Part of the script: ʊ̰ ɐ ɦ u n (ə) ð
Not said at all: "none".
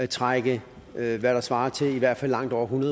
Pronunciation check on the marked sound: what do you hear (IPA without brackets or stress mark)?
ɐ